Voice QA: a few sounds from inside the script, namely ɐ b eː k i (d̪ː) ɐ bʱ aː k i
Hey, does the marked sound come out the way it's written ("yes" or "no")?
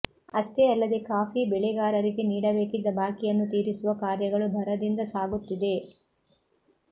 yes